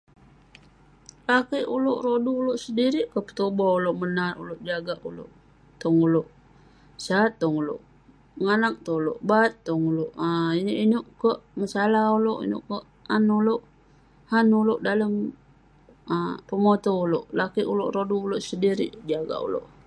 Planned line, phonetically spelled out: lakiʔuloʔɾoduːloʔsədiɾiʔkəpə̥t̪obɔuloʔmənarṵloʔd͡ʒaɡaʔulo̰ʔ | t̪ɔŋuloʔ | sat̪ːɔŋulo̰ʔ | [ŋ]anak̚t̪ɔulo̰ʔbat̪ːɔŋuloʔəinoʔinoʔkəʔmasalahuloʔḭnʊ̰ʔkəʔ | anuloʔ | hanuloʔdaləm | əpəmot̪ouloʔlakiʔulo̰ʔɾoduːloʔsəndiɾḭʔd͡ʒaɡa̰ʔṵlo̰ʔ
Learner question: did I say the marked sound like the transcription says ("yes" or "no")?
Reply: yes